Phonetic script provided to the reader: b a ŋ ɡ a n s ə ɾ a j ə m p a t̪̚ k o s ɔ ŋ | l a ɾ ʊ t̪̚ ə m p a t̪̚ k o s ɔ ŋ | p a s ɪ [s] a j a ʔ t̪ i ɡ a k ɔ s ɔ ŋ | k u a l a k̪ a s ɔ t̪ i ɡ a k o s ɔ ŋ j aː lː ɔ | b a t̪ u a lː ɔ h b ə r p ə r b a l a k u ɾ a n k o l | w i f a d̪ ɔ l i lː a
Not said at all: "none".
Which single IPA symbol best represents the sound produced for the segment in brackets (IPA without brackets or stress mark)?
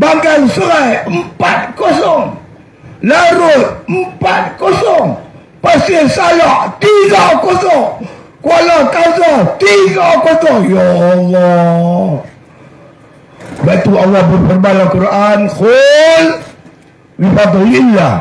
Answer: s